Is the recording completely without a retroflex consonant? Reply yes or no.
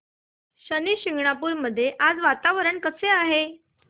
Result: no